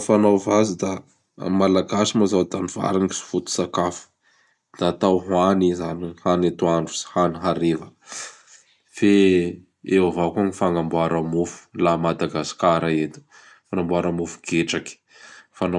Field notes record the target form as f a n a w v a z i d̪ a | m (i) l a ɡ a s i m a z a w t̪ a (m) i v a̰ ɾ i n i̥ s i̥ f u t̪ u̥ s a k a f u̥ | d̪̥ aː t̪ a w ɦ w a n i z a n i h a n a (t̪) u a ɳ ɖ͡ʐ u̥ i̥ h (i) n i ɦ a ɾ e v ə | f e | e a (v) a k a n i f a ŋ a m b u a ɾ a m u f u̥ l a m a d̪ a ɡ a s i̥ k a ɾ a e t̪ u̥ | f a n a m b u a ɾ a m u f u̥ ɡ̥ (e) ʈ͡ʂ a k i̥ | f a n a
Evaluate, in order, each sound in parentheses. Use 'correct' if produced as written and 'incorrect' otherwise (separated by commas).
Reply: incorrect, incorrect, correct, incorrect, correct, correct